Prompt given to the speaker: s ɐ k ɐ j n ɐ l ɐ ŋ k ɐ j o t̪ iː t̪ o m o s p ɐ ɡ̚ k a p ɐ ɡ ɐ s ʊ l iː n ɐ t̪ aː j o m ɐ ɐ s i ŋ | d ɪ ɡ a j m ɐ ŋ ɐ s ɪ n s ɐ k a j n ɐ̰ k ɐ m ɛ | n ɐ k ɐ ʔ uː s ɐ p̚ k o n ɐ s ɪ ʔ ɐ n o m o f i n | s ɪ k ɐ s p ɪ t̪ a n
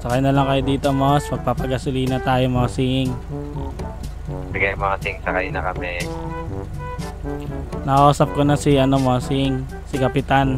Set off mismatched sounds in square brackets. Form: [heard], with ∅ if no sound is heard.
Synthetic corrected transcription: s ɐ k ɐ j n ɐ l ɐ ŋ k ɐ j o [d̪] iː t̪ o m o s p ɐ ɡ̚ [p] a p ɐ ɡ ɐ s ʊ l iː n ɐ t̪ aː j o m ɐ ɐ s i ŋ | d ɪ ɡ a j m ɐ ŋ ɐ s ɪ [ŋ] s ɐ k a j n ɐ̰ k ɐ m ɛ | n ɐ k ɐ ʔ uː s ɐ p̚ k o n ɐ s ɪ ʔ ɐ n o m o [s] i [ŋ] | s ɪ k ɐ [∅] p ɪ t̪ a n